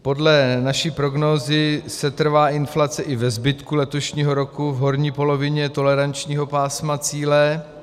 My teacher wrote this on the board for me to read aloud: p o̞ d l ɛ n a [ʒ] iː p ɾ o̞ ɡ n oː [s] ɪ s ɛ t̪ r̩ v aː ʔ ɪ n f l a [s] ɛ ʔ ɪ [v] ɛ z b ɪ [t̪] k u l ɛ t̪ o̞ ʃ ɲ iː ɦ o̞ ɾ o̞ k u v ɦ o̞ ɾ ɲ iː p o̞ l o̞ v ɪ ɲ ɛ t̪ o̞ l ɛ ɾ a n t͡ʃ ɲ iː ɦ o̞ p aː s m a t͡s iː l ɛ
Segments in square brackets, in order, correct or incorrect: incorrect: ʃ, incorrect: z, incorrect: t͡s, correct, correct

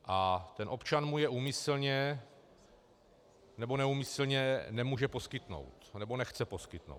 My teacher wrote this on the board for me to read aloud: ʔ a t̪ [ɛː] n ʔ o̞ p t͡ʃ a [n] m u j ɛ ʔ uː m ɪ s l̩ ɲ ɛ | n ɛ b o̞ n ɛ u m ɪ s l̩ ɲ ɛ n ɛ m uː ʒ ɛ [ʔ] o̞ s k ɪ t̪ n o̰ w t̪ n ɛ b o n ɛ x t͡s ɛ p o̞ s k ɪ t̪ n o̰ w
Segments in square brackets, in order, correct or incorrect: incorrect: ɛ, correct, incorrect: p

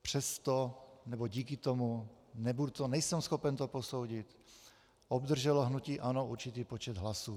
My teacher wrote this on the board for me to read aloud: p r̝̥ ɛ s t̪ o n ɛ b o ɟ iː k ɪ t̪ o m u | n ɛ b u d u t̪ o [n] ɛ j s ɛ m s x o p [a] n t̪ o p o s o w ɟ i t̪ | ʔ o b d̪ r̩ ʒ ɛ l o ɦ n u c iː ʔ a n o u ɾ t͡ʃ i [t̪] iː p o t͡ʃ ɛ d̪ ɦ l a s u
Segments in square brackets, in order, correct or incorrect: correct, incorrect: ɛ, correct

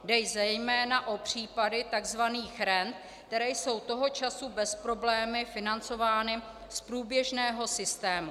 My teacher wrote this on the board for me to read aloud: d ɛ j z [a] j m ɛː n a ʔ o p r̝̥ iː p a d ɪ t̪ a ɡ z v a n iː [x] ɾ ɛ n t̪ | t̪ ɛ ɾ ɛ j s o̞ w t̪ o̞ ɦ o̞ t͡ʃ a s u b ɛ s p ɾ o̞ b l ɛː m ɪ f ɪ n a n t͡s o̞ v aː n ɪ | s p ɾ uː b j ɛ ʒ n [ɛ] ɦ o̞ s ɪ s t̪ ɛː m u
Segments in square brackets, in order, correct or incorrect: incorrect: ɛ, correct, incorrect: ɛː

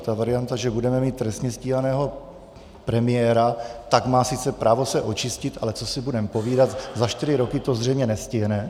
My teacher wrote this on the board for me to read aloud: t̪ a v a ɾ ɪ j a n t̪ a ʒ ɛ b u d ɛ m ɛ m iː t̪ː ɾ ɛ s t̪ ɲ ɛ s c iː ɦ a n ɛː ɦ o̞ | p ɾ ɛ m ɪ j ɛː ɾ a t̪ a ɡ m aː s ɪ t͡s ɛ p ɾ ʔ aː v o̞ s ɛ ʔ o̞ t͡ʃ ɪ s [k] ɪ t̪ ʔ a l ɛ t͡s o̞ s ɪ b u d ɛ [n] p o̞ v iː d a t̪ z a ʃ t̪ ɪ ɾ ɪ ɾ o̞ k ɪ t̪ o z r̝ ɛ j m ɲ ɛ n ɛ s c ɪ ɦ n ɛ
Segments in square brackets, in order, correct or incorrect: incorrect: c, incorrect: m

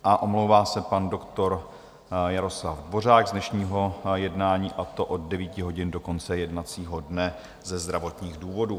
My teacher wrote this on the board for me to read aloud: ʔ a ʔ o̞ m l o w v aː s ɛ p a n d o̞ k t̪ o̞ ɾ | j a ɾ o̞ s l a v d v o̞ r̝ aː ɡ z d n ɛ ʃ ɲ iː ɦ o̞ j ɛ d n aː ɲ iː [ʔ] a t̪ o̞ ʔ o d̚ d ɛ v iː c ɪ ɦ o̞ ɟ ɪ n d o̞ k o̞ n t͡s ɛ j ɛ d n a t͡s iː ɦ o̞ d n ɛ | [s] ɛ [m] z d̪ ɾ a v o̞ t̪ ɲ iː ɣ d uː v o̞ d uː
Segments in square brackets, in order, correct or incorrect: correct, incorrect: z, incorrect: none

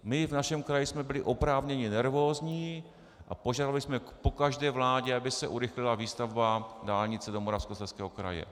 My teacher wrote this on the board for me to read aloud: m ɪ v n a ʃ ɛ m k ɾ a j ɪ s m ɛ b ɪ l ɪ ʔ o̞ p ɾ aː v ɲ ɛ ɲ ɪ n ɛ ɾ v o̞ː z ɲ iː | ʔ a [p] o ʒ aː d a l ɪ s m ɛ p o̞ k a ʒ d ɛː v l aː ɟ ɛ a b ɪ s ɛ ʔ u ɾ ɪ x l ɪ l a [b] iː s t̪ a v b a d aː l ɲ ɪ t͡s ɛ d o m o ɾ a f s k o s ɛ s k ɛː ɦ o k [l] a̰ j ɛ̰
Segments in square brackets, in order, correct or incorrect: correct, incorrect: v, incorrect: ɾ

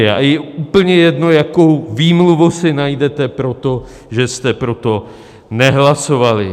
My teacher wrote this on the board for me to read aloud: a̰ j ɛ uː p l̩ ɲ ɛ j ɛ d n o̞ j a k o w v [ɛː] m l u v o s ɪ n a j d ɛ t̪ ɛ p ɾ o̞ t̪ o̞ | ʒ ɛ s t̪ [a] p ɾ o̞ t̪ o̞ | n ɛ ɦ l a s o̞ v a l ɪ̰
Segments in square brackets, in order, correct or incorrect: incorrect: iː, incorrect: ɛ

